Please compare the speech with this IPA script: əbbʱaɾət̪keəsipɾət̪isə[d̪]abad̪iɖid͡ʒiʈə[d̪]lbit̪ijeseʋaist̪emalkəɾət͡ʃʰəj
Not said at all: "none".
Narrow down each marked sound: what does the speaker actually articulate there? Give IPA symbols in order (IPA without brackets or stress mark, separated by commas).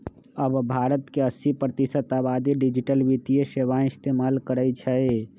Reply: t̪, none